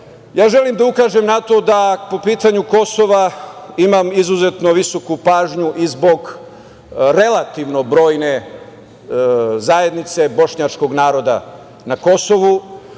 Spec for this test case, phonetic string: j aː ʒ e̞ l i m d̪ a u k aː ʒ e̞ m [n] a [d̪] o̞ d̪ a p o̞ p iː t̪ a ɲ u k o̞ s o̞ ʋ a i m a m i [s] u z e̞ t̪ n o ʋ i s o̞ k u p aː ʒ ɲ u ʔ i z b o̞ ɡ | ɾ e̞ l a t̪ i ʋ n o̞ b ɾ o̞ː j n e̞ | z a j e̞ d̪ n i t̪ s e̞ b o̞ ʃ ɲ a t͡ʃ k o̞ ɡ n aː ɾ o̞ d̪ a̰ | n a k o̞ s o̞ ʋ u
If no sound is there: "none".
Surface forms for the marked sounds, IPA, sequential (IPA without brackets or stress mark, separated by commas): n, t̪, z